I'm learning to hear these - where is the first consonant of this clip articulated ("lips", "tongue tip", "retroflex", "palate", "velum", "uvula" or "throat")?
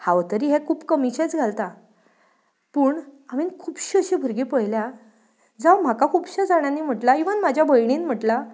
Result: throat